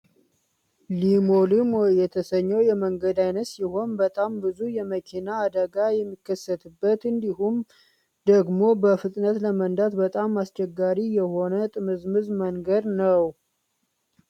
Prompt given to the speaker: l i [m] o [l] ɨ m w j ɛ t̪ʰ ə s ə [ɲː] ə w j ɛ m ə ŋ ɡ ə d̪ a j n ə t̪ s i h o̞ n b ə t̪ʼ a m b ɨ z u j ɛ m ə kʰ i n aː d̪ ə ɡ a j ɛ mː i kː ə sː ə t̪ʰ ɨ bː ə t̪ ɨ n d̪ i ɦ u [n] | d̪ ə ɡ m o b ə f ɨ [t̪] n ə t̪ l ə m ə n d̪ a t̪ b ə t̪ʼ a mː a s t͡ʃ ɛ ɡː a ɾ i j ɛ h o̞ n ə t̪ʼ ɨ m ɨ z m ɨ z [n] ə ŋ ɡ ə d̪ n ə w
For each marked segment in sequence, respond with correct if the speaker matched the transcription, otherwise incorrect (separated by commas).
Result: correct, correct, correct, incorrect, incorrect, incorrect